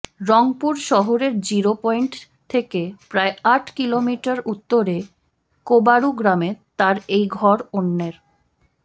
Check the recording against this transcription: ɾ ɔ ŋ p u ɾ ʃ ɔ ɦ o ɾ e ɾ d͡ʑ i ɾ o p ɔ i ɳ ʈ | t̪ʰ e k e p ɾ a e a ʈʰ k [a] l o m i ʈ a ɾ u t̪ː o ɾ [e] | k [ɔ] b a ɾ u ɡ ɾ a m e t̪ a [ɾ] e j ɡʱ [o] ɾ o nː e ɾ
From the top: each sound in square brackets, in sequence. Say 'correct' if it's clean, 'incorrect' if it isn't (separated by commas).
incorrect, correct, incorrect, correct, incorrect